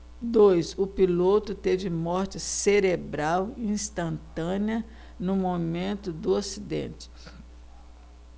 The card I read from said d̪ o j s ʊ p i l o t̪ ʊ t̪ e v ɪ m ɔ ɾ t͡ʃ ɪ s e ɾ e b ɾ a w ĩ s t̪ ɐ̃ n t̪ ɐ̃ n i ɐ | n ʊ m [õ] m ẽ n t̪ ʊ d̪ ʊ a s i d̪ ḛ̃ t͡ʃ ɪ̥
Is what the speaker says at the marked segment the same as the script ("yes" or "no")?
no